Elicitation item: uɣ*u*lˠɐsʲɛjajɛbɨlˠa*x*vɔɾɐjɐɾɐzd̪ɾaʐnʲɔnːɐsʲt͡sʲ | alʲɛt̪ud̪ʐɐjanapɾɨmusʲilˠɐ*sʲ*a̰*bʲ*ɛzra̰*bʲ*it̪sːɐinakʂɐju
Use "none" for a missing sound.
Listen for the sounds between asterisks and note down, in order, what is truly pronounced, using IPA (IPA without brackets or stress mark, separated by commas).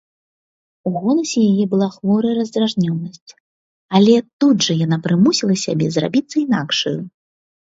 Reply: ɔ, x, sʲ, bʲ, bʲ